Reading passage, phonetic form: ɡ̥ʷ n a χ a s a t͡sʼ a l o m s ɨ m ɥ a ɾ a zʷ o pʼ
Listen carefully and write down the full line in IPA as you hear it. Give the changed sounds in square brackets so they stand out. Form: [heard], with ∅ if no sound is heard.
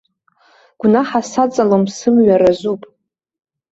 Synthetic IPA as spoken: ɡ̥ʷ n a [ħ] a s a t͡sʼ a l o m s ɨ m ɥ a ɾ a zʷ [u] pʼ